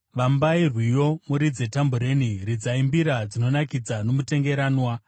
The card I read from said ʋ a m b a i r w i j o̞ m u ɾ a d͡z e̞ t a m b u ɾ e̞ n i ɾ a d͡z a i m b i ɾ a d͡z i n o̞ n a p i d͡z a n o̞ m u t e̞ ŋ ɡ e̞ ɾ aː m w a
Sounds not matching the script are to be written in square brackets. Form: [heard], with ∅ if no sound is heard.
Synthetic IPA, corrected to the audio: ʋ a m b a i r w i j o̞ m u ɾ [i] d͡z e̞ t a m b u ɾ e̞ n i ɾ [i] d͡z a i m b i ɾ a d͡z i n o̞ n a [k] i d͡z a n o̞ m u t e̞ ŋ ɡ e̞ ɾ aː [n] w a